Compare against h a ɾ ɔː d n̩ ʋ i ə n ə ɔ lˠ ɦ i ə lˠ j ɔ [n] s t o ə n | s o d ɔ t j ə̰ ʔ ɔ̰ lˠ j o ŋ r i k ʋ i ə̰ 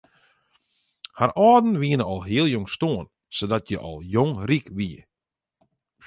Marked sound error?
yes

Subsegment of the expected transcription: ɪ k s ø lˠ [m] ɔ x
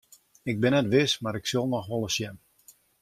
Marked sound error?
yes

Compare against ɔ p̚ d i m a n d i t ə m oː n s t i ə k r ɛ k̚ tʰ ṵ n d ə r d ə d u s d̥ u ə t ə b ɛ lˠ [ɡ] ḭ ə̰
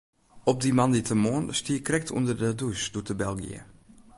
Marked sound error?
no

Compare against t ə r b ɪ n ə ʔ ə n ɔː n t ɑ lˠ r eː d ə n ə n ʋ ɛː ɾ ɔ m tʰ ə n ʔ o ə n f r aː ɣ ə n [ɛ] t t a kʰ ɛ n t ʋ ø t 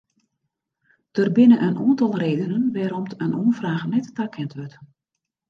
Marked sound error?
no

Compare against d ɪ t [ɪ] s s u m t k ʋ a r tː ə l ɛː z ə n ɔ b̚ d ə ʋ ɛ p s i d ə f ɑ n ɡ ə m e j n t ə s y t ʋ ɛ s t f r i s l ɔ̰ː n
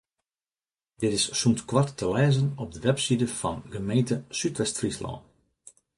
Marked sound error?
no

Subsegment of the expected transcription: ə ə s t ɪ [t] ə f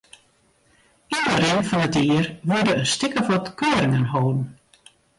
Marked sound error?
yes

